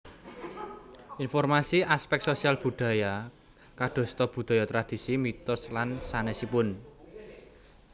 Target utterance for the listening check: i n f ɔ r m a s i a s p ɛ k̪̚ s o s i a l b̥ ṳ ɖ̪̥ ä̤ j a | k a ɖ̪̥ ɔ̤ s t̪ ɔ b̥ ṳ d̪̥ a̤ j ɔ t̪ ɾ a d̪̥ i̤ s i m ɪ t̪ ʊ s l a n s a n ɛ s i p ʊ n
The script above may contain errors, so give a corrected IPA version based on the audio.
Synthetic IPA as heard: i n f ɔ r m a s i a s p ɛ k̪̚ s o s i a l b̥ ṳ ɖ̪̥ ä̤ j a | k a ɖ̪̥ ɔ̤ s t̪ ɔ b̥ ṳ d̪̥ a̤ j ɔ t̪ ɾ a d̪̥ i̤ s i m i t̪ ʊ s l a n s a n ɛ s i p ʊ n